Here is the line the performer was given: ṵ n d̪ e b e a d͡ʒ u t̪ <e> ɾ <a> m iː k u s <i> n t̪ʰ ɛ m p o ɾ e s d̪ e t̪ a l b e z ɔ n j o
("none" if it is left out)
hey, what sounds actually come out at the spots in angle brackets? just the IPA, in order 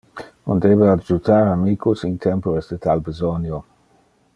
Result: a, a, i

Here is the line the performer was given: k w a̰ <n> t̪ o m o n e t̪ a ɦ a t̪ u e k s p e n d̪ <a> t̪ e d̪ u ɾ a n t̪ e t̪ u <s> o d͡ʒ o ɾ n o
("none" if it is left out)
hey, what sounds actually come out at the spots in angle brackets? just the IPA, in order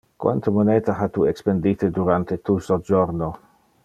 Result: n, i, s

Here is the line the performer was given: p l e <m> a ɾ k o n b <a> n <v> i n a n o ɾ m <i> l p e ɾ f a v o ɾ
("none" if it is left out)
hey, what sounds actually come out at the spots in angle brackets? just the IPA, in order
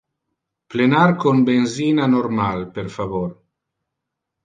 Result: n, e, z, a

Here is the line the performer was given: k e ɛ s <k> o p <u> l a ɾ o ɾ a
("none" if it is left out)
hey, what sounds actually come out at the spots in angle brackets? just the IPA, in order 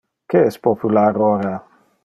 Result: p, u

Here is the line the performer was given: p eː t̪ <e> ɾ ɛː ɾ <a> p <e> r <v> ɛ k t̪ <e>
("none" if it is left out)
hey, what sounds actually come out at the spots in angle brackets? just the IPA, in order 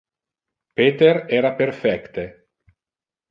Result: e, a, e, f, e

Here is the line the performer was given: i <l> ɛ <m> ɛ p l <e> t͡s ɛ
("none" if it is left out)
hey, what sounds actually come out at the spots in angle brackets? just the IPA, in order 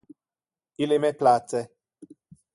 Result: l, m, a

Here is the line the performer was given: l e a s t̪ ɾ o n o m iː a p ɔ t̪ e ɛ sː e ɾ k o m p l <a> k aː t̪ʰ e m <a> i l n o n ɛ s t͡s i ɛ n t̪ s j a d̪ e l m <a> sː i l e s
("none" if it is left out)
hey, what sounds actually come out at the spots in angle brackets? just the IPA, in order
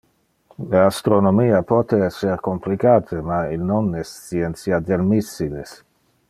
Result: i, a, i

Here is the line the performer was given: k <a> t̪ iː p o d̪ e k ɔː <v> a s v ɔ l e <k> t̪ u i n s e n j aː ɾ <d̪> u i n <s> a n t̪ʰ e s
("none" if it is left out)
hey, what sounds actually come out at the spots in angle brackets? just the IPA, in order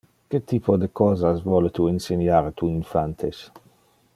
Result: e, z, none, t̪, f

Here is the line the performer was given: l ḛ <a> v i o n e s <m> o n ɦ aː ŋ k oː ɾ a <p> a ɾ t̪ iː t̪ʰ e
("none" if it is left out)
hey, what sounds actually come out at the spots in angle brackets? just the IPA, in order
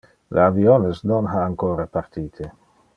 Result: a, n, p

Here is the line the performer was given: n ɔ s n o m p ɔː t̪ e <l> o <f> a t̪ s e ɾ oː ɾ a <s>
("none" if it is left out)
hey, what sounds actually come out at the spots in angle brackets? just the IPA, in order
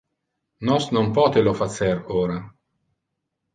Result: l, f, none

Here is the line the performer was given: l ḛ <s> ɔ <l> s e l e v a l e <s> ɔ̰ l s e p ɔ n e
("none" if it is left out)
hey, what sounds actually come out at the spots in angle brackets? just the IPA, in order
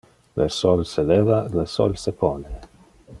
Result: s, l, s

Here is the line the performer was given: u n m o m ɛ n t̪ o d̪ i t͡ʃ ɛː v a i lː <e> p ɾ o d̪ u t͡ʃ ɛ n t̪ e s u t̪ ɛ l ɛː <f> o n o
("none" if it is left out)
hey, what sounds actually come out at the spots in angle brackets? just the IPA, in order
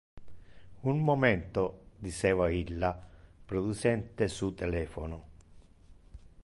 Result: a, f

